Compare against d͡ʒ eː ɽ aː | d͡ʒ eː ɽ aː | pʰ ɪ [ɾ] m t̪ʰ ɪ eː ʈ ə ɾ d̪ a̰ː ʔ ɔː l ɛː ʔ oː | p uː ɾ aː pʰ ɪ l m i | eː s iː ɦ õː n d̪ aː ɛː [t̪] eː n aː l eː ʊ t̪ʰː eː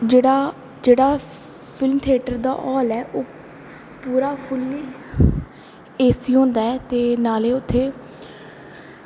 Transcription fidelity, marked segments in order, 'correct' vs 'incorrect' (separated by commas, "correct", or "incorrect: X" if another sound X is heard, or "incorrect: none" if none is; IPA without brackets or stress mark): incorrect: l, correct